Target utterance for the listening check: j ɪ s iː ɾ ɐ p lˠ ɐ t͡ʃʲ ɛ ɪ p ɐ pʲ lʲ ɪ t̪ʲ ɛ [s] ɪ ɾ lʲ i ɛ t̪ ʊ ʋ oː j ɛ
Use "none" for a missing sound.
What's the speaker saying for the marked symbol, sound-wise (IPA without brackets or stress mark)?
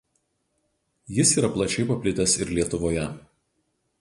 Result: s